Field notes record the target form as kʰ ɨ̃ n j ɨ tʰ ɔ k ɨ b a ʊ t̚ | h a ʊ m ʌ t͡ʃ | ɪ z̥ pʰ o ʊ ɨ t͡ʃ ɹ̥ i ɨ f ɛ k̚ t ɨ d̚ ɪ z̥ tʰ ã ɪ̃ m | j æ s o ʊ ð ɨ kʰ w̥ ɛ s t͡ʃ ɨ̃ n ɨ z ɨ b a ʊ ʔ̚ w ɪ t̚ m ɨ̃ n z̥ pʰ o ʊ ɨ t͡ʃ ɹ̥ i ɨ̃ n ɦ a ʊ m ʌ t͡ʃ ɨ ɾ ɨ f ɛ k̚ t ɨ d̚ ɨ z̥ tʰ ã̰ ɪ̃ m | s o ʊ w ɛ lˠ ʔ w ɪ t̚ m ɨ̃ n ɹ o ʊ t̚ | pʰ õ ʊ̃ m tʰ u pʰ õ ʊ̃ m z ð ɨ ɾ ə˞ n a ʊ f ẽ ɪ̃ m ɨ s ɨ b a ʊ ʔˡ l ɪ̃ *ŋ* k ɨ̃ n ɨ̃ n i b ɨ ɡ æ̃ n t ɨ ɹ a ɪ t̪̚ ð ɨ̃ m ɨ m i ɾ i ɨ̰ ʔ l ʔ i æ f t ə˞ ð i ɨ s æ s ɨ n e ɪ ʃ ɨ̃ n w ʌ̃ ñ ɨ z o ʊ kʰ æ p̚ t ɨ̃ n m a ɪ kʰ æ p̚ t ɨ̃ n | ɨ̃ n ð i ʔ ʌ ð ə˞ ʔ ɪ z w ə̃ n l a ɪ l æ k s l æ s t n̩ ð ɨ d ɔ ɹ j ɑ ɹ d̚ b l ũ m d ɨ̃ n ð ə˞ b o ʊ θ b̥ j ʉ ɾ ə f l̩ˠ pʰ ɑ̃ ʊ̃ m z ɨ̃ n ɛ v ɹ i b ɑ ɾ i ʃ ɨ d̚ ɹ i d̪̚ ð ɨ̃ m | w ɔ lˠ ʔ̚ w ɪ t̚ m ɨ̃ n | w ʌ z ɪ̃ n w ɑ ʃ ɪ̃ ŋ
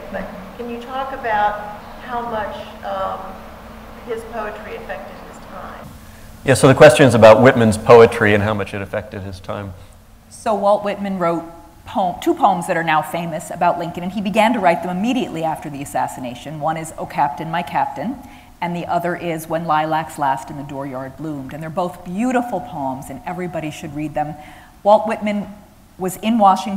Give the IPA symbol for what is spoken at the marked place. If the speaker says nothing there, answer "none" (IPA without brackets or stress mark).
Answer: ŋ